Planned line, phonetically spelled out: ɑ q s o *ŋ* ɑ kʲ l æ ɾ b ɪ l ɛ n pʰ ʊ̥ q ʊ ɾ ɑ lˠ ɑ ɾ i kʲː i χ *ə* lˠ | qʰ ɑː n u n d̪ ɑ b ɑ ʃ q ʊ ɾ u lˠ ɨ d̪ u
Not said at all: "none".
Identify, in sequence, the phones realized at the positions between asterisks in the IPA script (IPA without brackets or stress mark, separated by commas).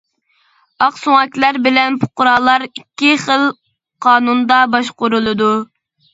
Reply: ŋ, ə